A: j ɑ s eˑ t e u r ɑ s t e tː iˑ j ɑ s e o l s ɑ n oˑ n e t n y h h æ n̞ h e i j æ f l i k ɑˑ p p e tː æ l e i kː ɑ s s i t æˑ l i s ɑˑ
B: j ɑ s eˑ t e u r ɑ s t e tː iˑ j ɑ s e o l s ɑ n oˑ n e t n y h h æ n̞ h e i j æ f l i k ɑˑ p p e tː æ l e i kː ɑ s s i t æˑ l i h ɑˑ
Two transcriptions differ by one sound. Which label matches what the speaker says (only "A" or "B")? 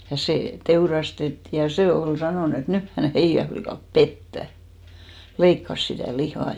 B